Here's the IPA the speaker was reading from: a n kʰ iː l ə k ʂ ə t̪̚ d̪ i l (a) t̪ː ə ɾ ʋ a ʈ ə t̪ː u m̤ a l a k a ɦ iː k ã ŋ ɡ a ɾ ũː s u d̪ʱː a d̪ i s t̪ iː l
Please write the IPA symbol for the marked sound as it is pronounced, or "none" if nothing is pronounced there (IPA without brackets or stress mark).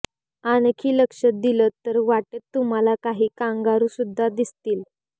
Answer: ə